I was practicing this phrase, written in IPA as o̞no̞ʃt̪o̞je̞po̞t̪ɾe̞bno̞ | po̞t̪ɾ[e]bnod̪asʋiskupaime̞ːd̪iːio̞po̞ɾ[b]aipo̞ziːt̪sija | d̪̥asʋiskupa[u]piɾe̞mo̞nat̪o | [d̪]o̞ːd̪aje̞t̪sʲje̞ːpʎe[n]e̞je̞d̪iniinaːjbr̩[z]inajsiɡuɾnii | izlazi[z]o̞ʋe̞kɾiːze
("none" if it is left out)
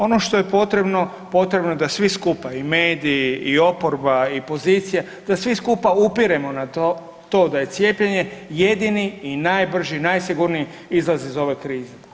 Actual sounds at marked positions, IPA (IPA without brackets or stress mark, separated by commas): e, b, u, t̪, ɲ, ʒ, z